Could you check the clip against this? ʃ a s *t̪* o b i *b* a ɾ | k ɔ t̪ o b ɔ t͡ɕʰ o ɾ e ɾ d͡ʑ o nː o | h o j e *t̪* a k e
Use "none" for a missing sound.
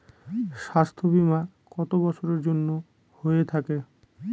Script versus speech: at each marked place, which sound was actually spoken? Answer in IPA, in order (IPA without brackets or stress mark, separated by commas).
t̪ʰ, m, t̪ʰ